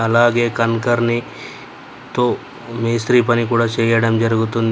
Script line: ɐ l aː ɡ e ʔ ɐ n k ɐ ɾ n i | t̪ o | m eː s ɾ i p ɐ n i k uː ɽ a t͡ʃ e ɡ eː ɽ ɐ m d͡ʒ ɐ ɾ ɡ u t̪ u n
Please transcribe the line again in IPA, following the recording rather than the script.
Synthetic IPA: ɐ l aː ɡ e k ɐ n k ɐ ɾ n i | t̪ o | m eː s ɾ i p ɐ n i k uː ɽ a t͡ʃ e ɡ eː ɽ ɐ m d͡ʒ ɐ ɾ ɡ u t̪ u n